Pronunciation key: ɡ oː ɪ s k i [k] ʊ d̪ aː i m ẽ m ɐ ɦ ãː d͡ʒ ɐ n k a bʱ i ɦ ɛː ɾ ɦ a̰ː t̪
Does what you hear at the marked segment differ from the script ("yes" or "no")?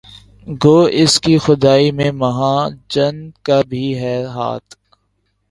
yes